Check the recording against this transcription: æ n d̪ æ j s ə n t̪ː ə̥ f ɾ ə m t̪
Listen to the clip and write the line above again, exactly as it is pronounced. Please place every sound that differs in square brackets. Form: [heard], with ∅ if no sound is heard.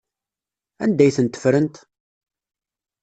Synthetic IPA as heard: æ n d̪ æ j [θ] ə n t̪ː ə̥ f ɾ ə [n] t̪